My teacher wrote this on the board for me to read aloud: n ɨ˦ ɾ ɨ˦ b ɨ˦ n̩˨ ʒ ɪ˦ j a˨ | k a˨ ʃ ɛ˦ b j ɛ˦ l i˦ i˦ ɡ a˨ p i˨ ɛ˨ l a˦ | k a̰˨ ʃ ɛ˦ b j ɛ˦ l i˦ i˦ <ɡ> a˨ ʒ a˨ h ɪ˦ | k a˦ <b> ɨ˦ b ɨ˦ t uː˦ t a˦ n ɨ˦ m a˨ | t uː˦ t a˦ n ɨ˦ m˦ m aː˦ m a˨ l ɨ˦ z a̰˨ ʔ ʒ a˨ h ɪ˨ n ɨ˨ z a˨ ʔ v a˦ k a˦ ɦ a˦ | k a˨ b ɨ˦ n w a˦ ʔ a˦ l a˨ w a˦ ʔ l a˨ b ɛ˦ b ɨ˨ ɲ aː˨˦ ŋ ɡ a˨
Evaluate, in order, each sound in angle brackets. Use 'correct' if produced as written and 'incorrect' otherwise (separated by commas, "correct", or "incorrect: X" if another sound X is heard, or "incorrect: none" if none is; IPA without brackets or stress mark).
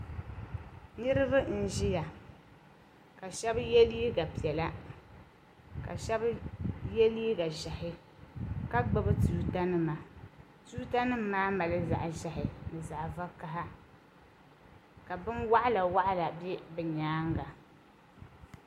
correct, incorrect: ɡ͡b